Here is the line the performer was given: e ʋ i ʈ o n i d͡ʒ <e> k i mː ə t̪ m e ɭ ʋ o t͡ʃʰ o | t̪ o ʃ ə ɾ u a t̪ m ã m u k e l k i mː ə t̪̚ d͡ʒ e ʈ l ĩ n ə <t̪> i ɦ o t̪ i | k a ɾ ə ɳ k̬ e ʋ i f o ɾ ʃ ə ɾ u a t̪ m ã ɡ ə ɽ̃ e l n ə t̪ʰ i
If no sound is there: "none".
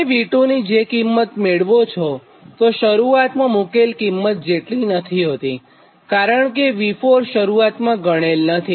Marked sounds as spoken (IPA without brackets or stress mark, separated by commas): e, t̪ʰ